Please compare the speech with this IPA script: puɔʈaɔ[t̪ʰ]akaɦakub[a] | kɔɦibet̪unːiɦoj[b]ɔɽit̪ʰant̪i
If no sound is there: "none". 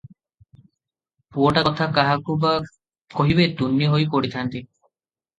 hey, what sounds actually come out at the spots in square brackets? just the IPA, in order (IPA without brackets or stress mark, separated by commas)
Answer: t̪ʰ, a, p